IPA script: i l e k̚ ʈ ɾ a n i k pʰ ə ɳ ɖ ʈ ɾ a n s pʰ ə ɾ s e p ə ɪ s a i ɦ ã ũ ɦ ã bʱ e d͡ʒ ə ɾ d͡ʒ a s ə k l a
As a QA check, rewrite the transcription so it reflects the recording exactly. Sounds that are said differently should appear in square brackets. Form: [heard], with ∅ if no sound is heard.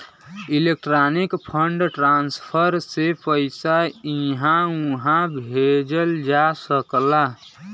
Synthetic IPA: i l e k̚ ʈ ɾ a n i k pʰ ə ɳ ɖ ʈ ɾ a n s pʰ ə ɾ s e p ə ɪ s a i ɦ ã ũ ɦ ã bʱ e d͡ʒ ə [l] d͡ʒ a s ə k l a